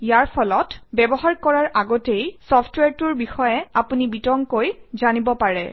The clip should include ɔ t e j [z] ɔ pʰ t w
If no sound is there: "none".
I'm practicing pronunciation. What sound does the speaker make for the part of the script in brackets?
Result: s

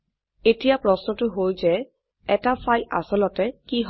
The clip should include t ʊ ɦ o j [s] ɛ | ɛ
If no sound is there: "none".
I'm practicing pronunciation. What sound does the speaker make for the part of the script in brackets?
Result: z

